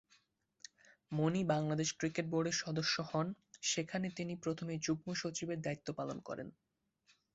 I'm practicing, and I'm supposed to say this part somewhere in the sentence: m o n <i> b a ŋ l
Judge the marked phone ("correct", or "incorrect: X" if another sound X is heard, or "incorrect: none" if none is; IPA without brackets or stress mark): correct